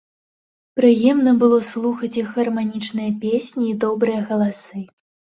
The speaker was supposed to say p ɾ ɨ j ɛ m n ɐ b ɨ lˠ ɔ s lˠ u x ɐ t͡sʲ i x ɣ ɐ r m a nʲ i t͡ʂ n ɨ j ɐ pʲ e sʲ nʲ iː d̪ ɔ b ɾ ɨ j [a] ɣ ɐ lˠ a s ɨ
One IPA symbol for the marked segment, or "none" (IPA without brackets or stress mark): ɐ